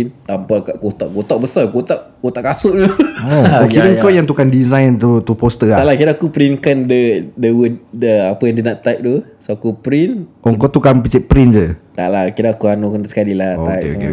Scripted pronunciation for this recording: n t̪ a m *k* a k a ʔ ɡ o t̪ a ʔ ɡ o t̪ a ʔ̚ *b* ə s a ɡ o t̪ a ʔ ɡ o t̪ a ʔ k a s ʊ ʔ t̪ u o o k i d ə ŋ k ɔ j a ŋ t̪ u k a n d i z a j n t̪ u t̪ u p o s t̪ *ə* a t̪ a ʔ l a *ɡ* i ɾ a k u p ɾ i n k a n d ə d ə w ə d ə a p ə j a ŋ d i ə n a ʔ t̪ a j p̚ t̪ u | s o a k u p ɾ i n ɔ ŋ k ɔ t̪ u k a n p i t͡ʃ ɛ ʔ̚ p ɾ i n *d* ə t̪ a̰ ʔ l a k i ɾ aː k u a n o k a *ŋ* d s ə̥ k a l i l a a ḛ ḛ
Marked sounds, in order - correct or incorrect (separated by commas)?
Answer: incorrect, correct, correct, incorrect, incorrect, incorrect